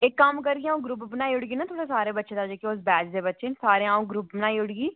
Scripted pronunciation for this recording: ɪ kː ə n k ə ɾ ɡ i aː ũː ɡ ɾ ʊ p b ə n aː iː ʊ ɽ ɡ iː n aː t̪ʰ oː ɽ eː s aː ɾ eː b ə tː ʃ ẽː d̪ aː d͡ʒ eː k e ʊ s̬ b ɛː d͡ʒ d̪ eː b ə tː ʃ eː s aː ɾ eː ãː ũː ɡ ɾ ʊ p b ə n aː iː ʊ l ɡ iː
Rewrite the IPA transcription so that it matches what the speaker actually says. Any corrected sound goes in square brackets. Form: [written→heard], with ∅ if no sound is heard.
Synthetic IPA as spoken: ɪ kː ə [n→m] k ə ɾ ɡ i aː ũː ɡ ɾ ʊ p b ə n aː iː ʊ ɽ ɡ iː n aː t̪ʰ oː ɽ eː s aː ɾ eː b ə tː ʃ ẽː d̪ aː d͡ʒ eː k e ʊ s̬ b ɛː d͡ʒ d̪ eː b ə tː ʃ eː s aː ɾ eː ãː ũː ɡ ɾ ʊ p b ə n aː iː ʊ [l→ɽ] ɡ iː